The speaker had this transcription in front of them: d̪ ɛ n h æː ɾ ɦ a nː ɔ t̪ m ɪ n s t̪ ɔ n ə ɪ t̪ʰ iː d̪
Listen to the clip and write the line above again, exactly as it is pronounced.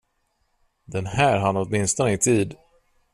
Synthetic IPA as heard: d̪ ɛ n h æː ɾ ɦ a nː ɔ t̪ m ɪ n s t̪ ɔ n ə ɪ t̪ʰ iː d̪